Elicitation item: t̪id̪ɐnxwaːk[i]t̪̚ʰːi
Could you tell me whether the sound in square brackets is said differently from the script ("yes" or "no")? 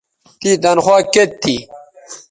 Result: yes